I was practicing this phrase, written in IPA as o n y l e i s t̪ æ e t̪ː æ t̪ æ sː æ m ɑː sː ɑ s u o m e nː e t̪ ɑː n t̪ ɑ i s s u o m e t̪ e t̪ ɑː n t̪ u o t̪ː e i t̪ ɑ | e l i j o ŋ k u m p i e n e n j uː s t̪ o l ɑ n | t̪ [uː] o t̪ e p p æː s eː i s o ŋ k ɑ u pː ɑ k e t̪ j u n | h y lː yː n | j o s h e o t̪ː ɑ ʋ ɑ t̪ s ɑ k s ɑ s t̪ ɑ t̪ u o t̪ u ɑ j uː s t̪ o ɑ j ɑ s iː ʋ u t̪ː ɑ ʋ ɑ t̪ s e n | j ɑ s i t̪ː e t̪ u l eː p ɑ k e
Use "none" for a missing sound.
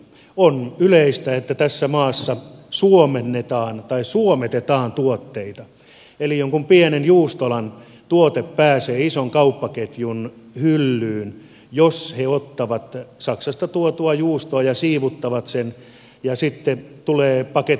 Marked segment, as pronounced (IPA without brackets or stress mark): u